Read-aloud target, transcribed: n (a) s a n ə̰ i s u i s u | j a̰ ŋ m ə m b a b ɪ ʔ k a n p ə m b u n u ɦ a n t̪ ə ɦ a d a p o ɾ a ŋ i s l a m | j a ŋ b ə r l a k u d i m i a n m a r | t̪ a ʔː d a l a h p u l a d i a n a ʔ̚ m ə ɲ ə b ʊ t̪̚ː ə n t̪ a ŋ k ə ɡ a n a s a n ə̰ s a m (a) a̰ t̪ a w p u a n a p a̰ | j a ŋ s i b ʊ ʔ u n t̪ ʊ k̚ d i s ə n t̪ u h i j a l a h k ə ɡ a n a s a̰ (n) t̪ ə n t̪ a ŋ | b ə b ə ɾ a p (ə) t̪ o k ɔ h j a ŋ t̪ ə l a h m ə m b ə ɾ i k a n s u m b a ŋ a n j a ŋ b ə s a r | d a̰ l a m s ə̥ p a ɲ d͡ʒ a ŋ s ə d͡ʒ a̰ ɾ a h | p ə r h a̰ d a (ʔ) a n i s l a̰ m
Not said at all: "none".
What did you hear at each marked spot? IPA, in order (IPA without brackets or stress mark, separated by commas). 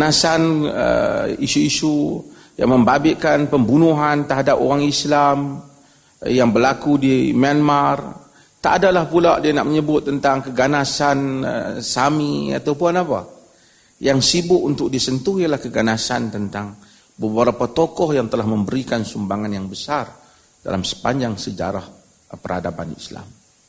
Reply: a, i, n, a, p